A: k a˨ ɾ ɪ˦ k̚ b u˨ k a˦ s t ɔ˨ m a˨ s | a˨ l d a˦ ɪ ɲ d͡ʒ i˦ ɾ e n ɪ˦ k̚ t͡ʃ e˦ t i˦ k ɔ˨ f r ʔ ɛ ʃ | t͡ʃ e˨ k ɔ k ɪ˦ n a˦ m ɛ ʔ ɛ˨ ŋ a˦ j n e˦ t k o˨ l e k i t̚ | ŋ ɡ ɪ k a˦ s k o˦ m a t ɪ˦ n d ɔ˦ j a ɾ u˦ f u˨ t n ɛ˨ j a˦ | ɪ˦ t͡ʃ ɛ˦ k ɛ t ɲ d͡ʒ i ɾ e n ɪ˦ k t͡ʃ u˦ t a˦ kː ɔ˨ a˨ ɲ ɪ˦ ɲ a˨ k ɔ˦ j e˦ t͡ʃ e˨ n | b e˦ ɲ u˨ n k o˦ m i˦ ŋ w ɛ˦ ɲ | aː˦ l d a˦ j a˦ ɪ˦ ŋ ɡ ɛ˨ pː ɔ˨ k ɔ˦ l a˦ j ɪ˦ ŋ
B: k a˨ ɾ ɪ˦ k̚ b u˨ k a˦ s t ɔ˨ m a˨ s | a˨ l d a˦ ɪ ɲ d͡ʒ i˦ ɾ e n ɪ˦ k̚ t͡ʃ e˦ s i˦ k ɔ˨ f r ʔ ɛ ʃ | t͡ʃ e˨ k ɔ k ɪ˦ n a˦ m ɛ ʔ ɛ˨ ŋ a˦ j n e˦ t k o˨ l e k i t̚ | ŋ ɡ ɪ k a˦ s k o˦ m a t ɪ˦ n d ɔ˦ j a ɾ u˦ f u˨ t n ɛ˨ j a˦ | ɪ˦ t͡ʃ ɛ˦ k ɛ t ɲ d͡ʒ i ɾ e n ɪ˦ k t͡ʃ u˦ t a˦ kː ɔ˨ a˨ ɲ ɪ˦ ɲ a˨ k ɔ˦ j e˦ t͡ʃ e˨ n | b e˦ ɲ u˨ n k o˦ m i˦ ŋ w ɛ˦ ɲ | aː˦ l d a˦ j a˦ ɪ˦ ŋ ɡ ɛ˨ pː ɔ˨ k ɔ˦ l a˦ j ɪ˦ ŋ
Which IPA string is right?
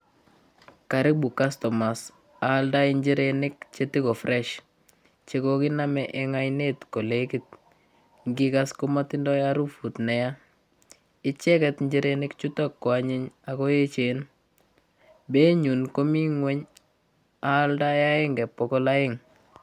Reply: A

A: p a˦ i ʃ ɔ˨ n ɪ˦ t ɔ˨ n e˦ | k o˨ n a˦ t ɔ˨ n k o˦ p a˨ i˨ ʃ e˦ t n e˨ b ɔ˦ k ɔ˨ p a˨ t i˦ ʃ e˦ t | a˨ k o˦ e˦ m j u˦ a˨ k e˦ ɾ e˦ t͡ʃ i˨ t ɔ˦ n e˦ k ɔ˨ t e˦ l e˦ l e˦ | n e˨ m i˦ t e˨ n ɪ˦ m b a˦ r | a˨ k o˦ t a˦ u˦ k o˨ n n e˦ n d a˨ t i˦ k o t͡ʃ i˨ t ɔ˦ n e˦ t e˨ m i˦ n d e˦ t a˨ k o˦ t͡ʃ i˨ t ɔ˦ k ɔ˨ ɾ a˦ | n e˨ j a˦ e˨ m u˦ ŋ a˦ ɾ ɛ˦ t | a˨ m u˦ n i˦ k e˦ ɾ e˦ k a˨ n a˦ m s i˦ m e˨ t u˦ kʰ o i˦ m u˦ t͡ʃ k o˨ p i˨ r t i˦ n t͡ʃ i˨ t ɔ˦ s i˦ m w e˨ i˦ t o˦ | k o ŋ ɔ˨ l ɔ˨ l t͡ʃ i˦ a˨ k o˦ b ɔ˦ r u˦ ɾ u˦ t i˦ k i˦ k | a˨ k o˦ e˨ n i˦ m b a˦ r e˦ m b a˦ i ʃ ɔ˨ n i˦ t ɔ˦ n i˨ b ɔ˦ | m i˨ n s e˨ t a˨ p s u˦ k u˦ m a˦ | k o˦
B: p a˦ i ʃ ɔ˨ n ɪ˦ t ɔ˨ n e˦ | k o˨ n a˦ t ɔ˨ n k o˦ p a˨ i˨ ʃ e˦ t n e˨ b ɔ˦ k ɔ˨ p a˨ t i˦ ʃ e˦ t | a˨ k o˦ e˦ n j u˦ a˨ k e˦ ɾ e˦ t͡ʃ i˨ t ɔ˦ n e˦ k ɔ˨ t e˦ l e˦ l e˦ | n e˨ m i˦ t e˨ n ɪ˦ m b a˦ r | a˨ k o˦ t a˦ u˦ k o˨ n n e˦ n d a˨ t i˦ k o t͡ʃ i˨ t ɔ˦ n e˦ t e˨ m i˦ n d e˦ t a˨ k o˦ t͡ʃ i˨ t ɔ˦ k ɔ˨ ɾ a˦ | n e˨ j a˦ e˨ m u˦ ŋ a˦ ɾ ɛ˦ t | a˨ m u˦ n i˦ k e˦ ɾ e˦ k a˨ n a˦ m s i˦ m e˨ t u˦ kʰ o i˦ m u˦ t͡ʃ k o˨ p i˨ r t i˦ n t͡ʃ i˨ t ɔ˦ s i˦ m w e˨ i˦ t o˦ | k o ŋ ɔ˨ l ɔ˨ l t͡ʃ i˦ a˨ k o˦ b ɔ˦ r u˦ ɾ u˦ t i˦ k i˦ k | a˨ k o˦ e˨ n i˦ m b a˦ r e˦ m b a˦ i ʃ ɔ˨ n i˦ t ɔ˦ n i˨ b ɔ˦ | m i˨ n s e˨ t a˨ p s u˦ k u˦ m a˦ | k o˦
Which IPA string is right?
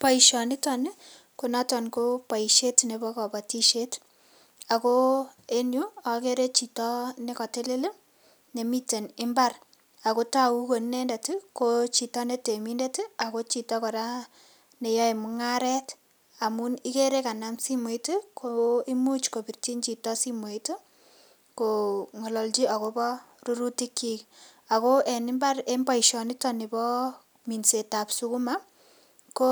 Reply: B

